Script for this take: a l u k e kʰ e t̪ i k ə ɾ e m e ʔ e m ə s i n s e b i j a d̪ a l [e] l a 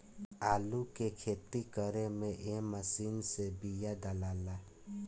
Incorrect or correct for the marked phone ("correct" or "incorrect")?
incorrect